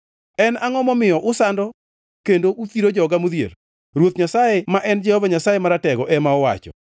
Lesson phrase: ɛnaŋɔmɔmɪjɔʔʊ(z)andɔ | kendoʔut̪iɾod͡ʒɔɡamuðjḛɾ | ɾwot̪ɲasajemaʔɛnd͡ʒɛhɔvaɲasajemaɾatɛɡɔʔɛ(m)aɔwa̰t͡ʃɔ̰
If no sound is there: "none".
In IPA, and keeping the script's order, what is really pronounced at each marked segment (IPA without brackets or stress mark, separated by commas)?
s, m